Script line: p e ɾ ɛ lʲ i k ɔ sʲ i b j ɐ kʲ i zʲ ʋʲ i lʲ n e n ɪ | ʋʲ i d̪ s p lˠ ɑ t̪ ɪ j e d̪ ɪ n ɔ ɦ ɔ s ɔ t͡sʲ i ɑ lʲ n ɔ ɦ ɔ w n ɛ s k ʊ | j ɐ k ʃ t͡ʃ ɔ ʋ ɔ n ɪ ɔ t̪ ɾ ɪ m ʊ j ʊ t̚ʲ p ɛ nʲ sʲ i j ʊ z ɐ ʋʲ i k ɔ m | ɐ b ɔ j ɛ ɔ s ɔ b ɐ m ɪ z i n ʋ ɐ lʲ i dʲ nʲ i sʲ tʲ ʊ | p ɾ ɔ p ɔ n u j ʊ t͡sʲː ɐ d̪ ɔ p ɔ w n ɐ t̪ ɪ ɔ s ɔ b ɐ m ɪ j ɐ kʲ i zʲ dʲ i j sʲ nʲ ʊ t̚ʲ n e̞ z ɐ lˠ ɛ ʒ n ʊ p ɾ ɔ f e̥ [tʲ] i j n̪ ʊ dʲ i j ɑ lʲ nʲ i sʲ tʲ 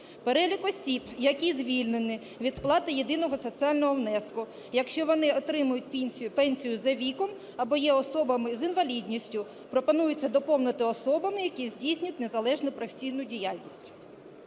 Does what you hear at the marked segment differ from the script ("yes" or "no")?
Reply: yes